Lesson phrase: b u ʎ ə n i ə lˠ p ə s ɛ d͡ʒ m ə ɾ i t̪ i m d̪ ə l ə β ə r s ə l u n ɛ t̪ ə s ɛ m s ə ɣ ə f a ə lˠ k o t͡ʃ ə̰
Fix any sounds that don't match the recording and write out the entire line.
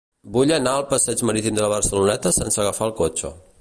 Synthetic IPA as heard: b u ʎ ə n a ə lˠ p ə s ɛ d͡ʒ m ə ɾ i t̪ i m d̪ ə l ə β ə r s ə l u n ɛ t̪ ə s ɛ n s ə ɣ ə f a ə lˠ k o t͡ʃ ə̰